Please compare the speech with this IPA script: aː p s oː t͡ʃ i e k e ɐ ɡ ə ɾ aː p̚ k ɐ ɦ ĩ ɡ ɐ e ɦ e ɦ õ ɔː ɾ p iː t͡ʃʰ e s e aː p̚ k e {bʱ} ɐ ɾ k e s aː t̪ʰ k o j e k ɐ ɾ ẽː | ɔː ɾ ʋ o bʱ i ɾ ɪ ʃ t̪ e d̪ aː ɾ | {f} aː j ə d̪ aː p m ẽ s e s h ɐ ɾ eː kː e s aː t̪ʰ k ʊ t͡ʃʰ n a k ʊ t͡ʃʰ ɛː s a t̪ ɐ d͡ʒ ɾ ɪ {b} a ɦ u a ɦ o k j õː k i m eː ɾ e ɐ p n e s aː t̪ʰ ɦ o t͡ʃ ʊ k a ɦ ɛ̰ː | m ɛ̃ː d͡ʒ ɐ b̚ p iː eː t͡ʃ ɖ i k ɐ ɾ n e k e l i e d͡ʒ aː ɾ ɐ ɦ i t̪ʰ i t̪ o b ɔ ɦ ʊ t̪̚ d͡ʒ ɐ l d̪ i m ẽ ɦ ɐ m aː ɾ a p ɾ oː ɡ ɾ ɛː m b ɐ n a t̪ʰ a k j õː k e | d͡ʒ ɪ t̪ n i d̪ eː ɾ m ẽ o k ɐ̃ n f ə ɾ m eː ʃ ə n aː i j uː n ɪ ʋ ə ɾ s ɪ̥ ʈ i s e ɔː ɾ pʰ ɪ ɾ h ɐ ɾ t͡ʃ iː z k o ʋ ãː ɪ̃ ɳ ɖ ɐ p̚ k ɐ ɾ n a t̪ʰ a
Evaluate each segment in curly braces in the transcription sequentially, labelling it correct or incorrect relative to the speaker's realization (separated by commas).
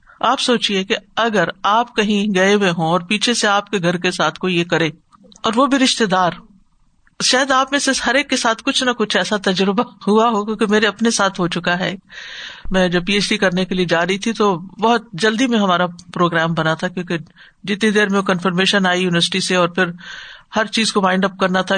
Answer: incorrect, incorrect, correct